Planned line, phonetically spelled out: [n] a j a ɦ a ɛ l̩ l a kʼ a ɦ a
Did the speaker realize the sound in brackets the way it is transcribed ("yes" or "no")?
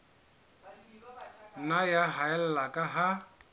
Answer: yes